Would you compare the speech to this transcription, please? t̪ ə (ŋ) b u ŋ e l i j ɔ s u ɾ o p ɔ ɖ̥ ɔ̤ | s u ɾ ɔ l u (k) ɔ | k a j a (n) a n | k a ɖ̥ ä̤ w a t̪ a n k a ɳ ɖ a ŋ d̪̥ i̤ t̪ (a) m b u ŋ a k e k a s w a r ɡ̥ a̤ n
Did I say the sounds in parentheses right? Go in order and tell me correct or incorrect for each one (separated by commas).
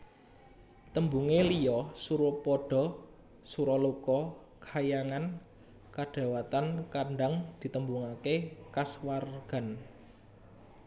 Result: incorrect, correct, incorrect, incorrect